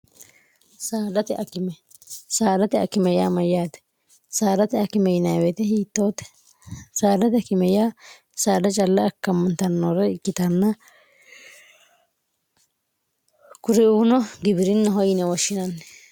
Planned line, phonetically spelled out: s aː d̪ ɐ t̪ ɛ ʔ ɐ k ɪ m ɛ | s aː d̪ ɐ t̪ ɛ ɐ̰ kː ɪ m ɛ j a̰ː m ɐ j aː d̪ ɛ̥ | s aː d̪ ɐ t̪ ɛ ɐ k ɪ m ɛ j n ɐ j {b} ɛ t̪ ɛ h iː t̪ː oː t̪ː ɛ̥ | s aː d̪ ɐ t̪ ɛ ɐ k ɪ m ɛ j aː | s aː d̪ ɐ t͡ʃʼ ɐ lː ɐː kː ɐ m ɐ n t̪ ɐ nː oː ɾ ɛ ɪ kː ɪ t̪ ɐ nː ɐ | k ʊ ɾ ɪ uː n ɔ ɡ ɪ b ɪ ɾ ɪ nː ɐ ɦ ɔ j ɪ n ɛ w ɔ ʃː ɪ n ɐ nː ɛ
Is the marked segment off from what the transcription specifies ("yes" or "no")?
yes